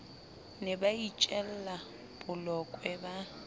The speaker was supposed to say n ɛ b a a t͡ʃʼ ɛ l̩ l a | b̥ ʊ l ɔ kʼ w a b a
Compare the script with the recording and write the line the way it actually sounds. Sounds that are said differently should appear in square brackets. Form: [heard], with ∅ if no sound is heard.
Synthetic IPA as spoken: n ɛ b a [i] t͡ʃʼ ɛ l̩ l a | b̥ ʊ l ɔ kʼ w [ɛ] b a